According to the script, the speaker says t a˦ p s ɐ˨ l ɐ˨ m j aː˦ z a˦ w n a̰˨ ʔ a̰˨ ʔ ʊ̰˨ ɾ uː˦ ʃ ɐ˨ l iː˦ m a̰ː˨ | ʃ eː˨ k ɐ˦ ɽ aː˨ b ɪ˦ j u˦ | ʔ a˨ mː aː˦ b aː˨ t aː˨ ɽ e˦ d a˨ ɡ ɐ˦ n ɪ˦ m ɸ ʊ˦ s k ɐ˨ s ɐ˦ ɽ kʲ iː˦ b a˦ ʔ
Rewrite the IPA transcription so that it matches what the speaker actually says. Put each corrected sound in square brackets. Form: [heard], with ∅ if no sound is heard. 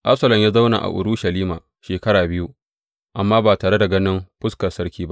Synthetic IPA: [ʔ] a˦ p s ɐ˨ l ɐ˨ m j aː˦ z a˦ w n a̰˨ ʔ a̰˨ ʔ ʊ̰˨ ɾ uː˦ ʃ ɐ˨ l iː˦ m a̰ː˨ | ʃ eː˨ k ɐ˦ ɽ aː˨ b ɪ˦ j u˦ | ʔ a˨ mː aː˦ b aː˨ t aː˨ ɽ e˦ d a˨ ɡ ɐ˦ n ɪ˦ m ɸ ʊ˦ s k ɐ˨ s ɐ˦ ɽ kʲ iː˦ b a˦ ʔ